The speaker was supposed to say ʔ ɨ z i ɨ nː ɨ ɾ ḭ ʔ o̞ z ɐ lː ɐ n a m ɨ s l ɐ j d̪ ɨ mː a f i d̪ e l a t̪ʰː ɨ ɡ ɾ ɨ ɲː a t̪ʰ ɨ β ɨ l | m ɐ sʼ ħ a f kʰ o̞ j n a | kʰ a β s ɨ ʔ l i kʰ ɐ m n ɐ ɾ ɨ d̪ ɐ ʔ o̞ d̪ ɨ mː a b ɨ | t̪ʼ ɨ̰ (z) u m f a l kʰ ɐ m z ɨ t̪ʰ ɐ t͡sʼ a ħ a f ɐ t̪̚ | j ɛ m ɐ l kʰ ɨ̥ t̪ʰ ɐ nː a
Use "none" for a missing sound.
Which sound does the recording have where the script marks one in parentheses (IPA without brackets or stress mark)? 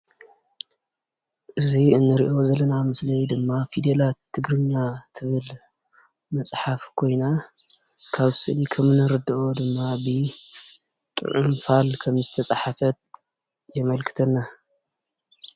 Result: ʕ